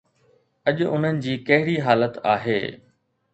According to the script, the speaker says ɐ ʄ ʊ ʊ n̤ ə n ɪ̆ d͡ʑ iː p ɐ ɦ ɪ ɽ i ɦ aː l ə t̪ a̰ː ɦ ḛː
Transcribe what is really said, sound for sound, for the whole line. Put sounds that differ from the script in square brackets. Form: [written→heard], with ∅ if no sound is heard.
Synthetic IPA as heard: ɐ ʄ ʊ ʊ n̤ ə n ɪ̆ d͡ʑ iː [p→k] ɐ ɦ ɪ ɽ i ɦ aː l ə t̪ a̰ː ɦ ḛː